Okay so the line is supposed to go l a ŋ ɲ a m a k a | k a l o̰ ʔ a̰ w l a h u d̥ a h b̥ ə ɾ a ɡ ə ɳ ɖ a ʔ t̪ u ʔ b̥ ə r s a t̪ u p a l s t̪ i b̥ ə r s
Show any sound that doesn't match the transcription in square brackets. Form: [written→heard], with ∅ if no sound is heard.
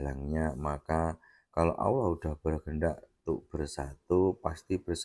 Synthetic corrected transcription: l a ŋ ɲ a m a k a | k a l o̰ ʔ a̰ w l a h u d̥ a h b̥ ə ɾ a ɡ ə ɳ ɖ a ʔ t̪ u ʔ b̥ ə r s a t̪ u p a [l→∅] s t̪ i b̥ ə r s